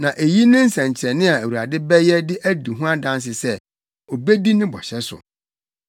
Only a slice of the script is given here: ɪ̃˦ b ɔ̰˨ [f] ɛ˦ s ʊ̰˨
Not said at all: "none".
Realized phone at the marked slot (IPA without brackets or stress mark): ɕ